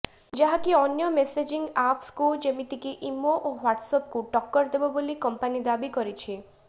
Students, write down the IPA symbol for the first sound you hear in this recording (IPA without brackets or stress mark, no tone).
d͡ʒ